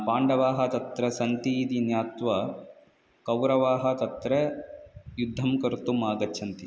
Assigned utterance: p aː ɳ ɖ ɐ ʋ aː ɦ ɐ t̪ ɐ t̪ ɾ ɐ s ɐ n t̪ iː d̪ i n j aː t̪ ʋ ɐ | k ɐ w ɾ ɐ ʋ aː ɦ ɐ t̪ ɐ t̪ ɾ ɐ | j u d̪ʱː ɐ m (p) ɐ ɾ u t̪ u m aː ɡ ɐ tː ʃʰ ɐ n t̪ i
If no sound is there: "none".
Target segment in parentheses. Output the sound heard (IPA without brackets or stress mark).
k